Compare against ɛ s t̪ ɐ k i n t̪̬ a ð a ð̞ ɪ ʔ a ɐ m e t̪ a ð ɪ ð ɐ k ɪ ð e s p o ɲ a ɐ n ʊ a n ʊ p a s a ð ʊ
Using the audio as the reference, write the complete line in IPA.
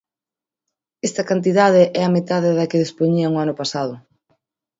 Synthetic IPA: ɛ s t̪ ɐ k a n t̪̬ i ð a ð̞ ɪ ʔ ɛ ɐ m e t̪ a ð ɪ ð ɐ k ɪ ð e s p o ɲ i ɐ ŋ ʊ a n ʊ p a s a ð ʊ